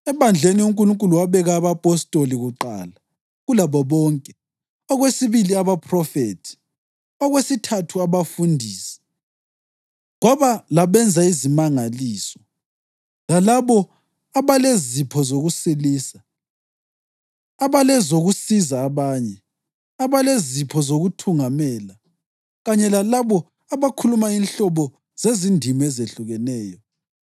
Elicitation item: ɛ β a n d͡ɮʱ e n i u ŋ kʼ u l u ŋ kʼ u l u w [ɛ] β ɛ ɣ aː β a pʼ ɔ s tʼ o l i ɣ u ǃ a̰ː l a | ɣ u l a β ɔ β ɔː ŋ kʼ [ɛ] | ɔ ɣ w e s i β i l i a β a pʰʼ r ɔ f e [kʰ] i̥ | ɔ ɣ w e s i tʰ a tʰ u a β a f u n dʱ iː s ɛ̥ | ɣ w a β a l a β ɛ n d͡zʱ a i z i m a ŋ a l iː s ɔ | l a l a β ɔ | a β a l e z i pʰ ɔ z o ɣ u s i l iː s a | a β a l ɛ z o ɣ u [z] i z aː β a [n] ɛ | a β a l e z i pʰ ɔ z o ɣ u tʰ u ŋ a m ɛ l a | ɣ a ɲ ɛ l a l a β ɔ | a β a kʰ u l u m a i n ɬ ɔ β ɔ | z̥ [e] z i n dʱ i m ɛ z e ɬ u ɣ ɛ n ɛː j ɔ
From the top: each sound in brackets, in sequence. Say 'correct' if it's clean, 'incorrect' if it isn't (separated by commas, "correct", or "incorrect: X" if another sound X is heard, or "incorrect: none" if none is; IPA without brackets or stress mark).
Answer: incorrect: a, correct, incorrect: tʰ, incorrect: s, incorrect: ɲ, correct